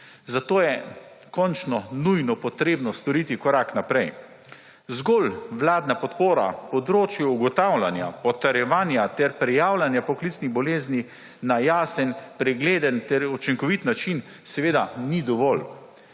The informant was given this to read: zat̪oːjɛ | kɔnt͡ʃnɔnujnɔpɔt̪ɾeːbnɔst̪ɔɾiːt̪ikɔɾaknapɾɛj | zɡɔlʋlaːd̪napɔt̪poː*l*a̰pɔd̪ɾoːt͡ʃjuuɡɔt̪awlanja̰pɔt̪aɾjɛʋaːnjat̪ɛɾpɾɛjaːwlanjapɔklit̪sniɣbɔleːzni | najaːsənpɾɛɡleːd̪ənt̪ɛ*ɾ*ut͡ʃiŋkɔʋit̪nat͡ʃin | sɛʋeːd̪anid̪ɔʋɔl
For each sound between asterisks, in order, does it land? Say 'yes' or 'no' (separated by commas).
no, yes